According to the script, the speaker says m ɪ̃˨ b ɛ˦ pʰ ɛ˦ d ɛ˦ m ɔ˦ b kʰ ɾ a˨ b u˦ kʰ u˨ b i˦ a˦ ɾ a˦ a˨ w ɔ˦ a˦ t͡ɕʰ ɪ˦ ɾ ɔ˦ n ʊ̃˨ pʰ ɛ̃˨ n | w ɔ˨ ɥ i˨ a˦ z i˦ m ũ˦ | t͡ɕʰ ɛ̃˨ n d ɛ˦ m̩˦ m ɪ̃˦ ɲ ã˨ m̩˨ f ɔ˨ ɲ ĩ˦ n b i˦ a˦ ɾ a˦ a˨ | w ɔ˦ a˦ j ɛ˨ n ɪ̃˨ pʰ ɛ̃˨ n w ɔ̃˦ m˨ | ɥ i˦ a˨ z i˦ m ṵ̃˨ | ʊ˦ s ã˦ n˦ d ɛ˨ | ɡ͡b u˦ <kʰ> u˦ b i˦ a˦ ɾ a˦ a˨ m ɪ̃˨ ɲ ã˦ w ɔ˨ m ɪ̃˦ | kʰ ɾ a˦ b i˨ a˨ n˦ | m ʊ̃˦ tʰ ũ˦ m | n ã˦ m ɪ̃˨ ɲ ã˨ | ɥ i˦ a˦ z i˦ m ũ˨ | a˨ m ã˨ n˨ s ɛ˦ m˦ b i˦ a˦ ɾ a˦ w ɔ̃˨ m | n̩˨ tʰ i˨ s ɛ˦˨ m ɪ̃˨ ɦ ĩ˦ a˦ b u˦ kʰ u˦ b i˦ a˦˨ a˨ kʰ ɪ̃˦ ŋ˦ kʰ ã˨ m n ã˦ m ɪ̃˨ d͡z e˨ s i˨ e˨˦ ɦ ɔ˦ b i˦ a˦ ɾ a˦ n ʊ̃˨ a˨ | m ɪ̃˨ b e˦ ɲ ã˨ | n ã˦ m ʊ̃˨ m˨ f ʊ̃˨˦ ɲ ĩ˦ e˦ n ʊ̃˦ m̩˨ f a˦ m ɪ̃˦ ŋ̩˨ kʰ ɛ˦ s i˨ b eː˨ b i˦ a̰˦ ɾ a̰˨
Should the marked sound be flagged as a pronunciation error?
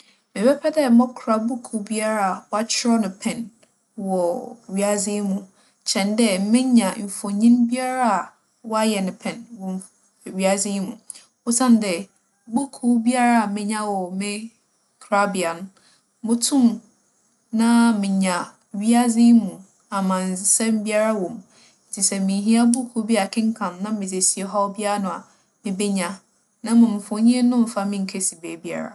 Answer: no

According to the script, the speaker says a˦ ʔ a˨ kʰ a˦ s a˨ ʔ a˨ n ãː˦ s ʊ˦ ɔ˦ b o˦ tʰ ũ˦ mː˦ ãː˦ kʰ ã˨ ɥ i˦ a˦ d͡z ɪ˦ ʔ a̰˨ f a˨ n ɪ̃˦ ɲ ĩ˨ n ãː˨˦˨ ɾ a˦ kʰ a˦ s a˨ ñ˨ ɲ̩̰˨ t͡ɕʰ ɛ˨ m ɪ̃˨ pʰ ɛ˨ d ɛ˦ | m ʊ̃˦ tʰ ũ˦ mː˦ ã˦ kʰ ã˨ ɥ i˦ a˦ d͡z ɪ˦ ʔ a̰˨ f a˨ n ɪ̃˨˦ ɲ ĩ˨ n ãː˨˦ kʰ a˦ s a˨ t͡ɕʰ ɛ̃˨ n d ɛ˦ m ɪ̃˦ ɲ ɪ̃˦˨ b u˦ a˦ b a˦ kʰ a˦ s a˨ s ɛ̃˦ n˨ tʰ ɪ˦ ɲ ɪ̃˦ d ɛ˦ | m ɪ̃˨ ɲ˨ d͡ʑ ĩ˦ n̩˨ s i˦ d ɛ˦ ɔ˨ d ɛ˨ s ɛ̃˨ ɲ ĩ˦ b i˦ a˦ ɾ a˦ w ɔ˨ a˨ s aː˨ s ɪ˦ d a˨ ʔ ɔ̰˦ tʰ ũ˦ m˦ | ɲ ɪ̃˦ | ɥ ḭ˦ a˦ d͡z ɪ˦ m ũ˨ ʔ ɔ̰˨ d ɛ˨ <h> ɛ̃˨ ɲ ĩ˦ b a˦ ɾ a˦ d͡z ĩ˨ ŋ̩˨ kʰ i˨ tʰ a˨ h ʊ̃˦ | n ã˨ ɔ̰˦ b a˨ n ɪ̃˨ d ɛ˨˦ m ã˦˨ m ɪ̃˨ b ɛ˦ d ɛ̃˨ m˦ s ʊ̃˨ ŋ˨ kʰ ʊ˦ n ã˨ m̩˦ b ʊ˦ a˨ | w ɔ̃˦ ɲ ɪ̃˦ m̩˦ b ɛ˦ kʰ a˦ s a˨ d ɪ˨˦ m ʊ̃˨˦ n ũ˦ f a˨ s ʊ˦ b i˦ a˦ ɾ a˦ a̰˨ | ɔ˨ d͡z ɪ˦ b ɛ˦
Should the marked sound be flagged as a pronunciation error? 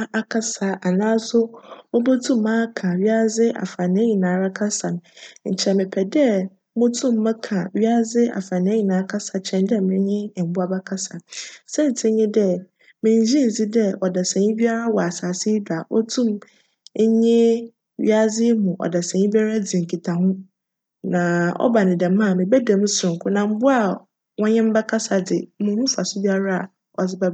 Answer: yes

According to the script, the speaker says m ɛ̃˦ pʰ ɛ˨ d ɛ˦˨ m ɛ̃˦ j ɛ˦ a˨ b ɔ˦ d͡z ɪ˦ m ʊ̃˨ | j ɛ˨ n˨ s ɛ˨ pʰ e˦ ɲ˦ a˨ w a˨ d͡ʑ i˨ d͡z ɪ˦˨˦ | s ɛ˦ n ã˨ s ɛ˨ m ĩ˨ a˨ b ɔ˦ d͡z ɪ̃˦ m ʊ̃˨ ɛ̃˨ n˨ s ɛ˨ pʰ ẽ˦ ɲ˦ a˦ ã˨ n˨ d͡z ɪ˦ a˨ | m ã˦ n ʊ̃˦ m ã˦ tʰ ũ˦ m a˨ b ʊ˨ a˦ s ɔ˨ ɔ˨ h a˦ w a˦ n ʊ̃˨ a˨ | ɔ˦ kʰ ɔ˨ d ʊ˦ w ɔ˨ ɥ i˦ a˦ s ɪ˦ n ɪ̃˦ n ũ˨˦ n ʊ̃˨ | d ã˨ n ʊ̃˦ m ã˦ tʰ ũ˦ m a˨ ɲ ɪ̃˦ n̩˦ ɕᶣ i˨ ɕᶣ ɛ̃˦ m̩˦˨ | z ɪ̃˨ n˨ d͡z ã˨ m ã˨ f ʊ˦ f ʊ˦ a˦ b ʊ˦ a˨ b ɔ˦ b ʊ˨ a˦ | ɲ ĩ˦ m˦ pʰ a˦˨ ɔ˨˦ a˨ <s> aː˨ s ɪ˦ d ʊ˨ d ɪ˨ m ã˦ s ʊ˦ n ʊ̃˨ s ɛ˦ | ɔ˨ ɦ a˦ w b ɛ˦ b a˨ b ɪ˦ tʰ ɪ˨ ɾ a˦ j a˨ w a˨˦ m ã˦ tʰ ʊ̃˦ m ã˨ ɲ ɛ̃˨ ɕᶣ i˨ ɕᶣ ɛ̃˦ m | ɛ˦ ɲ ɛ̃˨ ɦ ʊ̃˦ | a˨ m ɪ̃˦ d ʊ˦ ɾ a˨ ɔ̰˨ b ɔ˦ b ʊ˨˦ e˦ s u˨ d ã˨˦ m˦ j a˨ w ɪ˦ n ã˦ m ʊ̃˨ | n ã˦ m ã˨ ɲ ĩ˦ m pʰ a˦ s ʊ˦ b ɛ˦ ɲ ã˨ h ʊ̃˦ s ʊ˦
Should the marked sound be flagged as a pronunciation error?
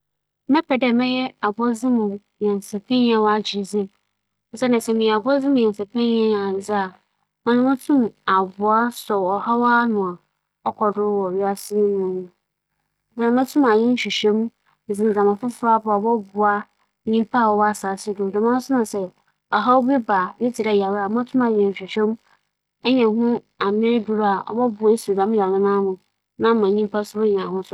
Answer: no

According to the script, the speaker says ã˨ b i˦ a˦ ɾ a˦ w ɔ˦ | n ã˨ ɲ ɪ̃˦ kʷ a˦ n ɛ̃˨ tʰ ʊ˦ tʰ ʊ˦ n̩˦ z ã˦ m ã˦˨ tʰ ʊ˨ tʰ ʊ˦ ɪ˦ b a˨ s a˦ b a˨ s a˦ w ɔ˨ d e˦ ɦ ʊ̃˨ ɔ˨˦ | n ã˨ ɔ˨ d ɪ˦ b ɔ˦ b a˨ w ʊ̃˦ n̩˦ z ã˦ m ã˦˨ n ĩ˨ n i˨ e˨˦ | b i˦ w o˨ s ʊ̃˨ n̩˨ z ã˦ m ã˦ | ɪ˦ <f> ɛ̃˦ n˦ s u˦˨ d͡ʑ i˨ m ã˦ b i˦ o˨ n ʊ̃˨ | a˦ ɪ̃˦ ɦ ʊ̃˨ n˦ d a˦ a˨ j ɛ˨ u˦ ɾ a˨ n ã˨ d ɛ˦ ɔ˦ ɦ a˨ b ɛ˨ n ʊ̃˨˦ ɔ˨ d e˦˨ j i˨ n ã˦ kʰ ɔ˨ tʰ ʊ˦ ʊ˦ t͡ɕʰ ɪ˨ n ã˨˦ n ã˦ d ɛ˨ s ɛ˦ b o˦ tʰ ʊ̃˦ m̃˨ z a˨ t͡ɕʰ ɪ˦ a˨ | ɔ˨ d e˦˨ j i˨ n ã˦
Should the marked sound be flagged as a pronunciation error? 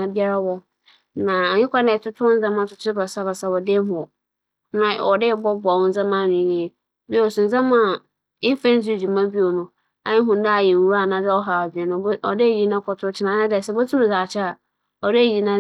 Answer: no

